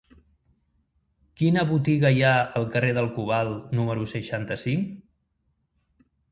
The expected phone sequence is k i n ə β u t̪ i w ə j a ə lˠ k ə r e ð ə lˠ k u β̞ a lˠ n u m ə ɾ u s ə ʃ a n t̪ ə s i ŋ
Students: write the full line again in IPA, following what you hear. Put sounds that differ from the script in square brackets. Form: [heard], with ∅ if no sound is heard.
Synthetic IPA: k i n ə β u t̪ i [ɣ] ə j a ə lˠ k ə r e ð ə lˠ k u β̞ a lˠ n u m ə ɾ u s ə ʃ a n t̪ ə s i ŋ